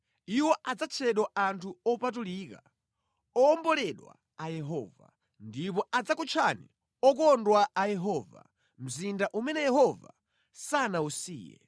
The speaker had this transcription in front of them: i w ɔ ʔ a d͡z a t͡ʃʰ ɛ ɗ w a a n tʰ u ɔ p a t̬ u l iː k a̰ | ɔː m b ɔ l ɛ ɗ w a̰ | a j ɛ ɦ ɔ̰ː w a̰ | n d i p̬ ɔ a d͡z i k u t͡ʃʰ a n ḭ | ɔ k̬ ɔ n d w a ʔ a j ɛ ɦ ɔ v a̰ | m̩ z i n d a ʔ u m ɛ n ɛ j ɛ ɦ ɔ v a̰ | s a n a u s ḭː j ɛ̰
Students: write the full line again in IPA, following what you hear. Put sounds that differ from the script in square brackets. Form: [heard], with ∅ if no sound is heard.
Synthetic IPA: i w ɔ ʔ a d͡z a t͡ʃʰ ɛ ɗ w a a n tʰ u ɔ p a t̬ u l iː k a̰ | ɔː m b ɔ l ɛ ɗ w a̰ | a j ɛ ɦ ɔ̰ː [v] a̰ | n d i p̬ ɔ a d͡z [a] k u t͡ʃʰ a n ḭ | ɔ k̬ ɔ n d w a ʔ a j ɛ ɦ ɔ v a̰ | m̩ z i n d a ʔ u m ɛ n ɛ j ɛ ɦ ɔ v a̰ | s a n a u s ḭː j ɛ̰